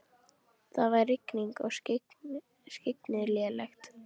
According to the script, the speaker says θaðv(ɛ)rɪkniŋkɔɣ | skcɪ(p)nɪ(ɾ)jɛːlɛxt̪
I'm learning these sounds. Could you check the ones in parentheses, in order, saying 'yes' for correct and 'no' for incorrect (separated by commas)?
no, no, no